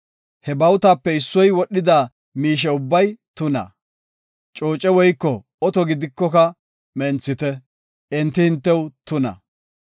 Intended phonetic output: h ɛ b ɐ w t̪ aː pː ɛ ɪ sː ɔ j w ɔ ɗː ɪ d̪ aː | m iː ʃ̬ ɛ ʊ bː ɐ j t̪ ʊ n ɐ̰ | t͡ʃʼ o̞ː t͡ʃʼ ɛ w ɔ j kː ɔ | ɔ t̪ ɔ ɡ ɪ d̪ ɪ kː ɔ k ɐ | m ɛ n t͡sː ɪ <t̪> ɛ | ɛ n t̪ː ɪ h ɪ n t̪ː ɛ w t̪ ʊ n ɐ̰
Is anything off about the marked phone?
no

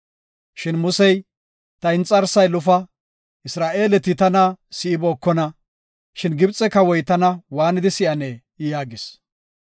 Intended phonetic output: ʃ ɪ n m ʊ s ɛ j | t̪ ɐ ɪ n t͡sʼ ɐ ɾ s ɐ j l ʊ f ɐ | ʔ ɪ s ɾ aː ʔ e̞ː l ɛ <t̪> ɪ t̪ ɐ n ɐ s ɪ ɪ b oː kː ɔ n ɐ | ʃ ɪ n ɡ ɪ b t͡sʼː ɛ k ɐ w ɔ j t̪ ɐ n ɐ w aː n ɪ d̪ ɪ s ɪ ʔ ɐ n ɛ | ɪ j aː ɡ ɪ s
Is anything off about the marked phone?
no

